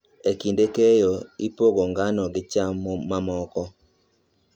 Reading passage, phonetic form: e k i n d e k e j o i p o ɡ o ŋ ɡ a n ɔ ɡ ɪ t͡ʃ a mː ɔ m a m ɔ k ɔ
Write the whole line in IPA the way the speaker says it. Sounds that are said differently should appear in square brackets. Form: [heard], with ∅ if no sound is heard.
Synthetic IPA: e k i n d e k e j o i p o ɡ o ŋ ɡ a n ɔ ɡ ɪ t͡ʃ a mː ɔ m a m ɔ k ɔ